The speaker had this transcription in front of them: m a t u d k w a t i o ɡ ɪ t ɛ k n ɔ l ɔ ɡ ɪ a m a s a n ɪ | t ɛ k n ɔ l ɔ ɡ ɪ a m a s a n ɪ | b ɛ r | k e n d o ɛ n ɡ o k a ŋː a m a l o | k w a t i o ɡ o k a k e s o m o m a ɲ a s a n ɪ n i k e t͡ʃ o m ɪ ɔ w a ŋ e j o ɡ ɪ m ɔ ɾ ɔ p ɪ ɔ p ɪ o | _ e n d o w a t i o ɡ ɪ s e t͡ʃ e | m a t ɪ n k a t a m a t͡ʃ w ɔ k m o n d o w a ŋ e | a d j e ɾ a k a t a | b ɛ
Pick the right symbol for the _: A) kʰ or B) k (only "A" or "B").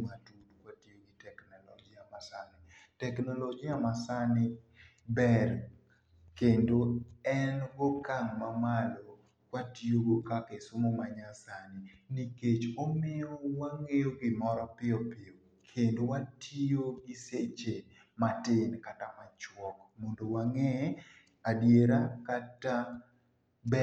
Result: A